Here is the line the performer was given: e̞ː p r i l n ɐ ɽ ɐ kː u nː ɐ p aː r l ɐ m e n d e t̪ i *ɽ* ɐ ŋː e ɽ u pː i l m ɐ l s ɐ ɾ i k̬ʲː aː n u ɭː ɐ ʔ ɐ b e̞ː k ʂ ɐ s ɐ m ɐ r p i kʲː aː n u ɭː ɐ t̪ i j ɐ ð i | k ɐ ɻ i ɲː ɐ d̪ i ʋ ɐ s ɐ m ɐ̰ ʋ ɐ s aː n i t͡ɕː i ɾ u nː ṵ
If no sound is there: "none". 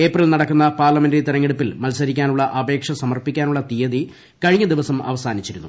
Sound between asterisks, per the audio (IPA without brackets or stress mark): ɾ